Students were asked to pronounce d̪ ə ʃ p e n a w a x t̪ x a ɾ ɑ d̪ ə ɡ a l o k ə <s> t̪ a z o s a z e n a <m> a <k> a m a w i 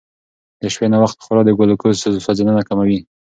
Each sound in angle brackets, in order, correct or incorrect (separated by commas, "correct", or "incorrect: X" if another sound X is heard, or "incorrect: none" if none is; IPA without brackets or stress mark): correct, incorrect: n, correct